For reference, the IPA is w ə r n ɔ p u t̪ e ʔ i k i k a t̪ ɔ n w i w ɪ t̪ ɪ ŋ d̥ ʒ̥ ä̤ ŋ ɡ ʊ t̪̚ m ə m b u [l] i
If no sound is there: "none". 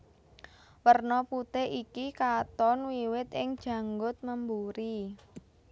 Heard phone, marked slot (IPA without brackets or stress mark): ɾ